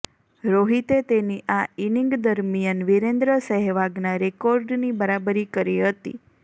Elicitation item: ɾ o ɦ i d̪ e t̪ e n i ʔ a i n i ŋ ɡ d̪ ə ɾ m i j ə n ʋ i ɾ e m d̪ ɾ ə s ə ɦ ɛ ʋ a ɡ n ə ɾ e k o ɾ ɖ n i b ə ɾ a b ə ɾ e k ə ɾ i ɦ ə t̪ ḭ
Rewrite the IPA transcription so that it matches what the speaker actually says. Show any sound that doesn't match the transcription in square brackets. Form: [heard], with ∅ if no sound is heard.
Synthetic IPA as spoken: ɾ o ɦ i [t̪] e t̪ e n i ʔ a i n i ŋ ɡ d̪ ə ɾ m i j ə n ʋ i ɾ e [n] d̪ ɾ ə s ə ɦ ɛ ʋ a ɡ n [a] ɾ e k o ɾ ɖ n i b ə ɾ a b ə ɾ [i] k ə ɾ i ɦ ə t̪ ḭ